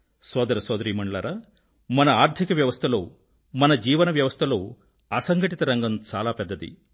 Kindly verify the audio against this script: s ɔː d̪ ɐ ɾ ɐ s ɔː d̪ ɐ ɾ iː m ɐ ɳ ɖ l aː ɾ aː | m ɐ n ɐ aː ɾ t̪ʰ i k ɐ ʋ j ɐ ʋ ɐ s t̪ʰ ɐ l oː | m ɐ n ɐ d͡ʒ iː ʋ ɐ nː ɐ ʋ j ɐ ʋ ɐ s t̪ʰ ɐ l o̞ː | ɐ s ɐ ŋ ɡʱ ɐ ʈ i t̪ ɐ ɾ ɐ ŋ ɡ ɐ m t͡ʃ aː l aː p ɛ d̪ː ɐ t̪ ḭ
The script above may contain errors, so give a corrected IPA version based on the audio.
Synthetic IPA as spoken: s ɔː d̪ ɐ ɾ ɐ s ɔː d̪ ɐ ɾ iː m ɐ ɳ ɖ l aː ɾ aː | m ɐ n ɐ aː ɾ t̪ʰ i k ɐ ʋ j ɐ ʋ ɐ s t̪ʰ ɐ l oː | m ɐ n ɐ d͡ʒ iː ʋ ɐ n ɐ ʋ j ɐ ʋ ɐ s t̪ʰ ɐ l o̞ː | ɐ s ɐ ŋ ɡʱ ɐ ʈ i t̪ ɐ ɾ ɐ ŋ ɡ ɐ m t͡ʃ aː l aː p ɛ d̪ː ɐ d̪ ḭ